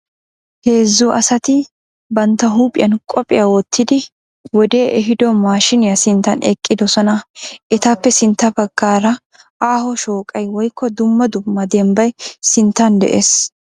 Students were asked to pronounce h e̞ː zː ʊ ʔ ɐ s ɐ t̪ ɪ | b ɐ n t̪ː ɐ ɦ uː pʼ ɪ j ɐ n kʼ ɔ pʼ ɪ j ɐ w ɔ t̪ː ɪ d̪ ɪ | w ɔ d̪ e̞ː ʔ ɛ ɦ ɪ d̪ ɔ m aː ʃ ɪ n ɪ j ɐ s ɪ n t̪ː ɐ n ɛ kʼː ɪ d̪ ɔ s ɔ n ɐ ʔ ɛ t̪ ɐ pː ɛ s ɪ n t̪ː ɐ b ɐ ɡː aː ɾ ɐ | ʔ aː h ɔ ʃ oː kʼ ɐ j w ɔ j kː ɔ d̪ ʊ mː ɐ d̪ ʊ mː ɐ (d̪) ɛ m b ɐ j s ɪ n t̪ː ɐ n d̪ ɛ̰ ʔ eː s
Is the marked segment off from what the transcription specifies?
no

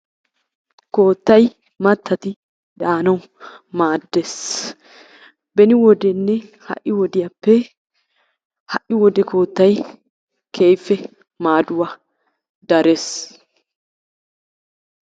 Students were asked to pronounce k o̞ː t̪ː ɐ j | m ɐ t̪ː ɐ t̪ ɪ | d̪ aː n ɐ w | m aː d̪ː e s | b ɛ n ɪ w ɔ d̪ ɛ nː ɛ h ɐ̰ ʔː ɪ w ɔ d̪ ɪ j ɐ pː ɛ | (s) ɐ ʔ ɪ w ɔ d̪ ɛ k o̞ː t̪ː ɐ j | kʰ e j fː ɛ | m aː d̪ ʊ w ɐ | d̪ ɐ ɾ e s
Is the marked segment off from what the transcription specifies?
yes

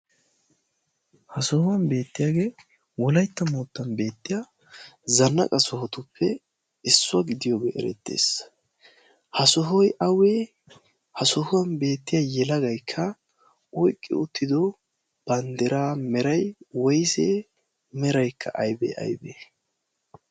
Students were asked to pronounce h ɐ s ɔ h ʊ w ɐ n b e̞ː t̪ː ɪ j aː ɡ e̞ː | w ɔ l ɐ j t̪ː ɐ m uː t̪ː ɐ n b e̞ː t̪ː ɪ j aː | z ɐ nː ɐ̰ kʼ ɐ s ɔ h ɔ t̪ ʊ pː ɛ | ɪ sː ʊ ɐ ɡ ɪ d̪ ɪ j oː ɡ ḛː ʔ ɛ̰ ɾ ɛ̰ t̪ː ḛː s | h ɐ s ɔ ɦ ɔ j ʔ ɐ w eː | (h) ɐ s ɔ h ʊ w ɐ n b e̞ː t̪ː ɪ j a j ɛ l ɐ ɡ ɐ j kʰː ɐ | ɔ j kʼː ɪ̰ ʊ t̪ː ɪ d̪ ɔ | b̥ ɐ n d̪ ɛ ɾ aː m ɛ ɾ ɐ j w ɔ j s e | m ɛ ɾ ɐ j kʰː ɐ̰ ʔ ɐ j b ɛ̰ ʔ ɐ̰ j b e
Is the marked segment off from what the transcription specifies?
no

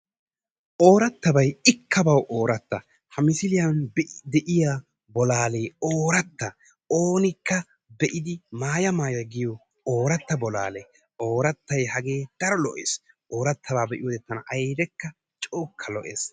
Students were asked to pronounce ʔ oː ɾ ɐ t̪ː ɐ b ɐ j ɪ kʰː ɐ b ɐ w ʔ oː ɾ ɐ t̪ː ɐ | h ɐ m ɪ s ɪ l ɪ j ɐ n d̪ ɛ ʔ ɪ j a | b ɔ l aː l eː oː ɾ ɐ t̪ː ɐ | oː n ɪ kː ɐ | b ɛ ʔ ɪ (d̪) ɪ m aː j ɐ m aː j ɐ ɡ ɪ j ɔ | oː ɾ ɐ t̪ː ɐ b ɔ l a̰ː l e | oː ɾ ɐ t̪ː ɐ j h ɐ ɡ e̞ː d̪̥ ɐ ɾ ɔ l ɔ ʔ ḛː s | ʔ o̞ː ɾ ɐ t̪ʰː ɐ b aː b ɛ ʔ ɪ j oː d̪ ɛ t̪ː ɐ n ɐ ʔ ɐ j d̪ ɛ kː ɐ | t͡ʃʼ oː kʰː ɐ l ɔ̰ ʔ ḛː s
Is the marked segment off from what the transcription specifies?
no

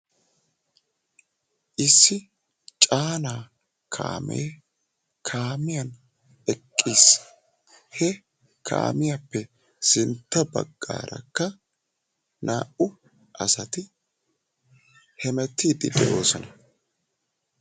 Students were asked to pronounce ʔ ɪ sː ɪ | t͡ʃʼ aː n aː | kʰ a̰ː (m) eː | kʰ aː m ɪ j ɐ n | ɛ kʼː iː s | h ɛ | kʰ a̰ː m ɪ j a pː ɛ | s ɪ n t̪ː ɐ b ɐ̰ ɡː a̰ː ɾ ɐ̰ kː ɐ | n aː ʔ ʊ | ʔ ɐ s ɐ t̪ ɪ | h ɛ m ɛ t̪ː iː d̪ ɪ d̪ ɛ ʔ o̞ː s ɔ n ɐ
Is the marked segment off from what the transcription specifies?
no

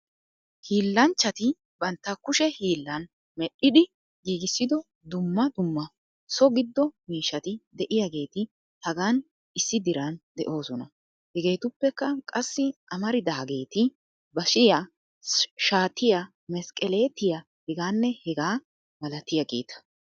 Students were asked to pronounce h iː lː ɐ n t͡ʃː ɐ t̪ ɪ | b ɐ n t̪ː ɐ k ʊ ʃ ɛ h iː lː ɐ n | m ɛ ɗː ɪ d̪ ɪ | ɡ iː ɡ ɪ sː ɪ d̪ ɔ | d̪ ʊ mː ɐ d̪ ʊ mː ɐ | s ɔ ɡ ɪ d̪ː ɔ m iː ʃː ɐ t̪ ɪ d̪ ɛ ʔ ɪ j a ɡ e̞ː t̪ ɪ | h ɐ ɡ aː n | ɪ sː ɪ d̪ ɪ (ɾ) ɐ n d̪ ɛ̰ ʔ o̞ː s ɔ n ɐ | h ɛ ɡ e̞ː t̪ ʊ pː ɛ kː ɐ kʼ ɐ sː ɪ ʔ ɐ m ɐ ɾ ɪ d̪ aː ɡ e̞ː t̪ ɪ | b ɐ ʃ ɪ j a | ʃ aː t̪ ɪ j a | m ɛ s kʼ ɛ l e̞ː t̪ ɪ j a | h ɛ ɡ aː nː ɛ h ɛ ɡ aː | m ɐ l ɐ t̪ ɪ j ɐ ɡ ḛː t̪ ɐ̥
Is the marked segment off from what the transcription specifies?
no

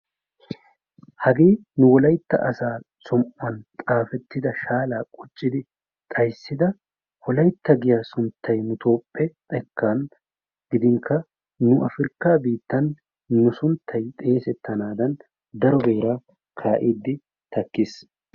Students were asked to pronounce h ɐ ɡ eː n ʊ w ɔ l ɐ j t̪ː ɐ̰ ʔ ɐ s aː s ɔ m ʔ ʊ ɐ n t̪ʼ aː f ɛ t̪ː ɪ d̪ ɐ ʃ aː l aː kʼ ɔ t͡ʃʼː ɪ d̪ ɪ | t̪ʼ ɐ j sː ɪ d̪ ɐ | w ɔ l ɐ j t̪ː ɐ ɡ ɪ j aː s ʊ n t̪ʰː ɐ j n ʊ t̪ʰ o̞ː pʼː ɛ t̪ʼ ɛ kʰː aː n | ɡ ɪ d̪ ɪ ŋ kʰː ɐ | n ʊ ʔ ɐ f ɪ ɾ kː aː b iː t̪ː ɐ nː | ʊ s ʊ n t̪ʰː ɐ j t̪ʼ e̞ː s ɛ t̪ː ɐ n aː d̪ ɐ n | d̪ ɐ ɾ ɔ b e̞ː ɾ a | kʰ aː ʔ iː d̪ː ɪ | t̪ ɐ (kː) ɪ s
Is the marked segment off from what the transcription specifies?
no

